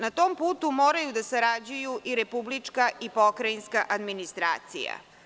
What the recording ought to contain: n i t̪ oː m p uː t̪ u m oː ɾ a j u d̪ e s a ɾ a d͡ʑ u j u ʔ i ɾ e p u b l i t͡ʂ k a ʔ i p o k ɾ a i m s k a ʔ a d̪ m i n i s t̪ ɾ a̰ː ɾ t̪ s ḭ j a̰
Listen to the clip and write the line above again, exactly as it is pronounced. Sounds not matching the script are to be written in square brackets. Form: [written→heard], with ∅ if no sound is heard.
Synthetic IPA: n [i→a] t̪ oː m p uː t̪ u m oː ɾ a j u d̪ [e→a] s a ɾ a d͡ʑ u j u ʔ i ɾ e p u b l i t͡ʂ k a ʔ i p o k ɾ a i [m→n] s k a ʔ a d̪ m i n i s t̪ ɾ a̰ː [ɾ→∅] t̪ s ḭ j a̰